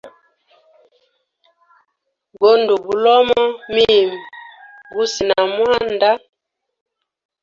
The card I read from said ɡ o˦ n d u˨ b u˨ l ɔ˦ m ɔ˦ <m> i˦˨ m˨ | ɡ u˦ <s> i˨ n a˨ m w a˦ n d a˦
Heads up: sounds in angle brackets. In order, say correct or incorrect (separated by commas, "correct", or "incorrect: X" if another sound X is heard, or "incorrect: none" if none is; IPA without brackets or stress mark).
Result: correct, correct